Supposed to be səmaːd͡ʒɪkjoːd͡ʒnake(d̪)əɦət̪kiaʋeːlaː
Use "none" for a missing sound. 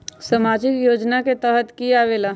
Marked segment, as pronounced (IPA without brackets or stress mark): t̪